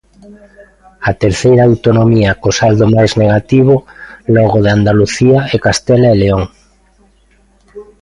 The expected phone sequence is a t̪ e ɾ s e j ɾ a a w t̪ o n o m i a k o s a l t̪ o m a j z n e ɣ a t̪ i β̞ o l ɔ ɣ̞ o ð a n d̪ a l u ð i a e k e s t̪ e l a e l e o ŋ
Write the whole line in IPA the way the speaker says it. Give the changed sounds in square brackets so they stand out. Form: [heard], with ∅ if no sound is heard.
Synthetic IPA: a t̪ e ɾ [θ] e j ɾ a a w t̪ o n o m i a k o s a l [d̪] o m a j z n e ɣ a t̪ i β̞ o l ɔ ɣ̞ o ð a n d̪ a l u [θ] i a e k [a] s t̪ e l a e l e o ŋ